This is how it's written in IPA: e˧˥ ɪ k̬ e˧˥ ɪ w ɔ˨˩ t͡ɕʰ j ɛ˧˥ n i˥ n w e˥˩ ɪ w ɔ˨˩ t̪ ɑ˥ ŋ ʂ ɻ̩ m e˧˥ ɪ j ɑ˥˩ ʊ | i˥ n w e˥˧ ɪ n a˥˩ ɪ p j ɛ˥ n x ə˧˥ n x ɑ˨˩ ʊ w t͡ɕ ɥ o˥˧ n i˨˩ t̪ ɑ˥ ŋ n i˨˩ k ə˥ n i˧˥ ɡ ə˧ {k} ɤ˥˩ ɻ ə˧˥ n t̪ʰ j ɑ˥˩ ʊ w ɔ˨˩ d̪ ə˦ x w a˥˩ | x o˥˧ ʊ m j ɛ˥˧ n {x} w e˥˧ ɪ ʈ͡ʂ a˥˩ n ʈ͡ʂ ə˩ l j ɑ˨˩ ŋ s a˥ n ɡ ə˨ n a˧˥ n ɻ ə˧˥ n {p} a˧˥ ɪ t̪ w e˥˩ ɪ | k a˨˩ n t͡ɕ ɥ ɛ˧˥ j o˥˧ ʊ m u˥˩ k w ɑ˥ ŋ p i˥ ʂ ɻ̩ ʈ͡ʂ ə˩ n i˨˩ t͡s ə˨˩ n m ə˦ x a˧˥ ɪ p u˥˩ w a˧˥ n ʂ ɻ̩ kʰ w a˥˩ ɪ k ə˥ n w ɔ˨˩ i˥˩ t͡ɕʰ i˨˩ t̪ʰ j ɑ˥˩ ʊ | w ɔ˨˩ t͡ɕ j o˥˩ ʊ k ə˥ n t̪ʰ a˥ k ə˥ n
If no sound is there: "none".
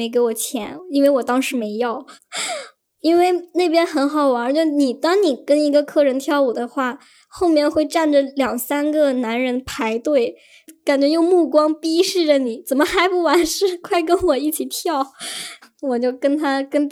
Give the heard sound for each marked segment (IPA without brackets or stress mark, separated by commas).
kʰ, x, pʰ